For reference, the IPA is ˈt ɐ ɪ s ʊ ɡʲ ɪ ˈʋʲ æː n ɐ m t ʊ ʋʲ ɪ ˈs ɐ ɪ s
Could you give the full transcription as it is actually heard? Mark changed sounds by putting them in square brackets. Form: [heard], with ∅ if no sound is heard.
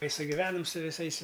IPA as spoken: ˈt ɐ ɪ s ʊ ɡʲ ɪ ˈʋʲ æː n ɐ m [s] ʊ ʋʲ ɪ ˈs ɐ ɪ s